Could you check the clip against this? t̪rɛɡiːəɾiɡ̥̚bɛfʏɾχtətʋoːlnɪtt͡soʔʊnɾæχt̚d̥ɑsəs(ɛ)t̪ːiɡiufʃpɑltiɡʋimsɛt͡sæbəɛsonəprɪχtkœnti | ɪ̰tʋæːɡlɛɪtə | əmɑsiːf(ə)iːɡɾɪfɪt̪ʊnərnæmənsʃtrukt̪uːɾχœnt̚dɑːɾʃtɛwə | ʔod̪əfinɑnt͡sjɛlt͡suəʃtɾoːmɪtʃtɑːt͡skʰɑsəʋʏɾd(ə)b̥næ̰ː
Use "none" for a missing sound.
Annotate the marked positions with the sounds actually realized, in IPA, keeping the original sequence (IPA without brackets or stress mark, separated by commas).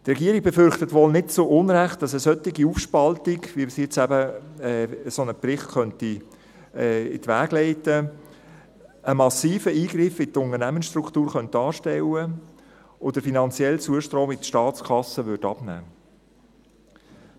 œ, ə, ɑ